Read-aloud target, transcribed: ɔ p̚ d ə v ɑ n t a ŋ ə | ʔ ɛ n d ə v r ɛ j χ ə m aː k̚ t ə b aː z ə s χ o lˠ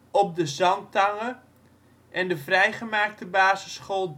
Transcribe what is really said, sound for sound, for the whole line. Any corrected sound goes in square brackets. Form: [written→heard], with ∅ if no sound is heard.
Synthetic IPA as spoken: ɔ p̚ d ə [v→z] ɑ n t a ŋ ə | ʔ ɛ n d ə v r ɛ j χ ə m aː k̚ t ə b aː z ə s χ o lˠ